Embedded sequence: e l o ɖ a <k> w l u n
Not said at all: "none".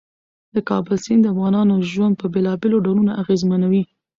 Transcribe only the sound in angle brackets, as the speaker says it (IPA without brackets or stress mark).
none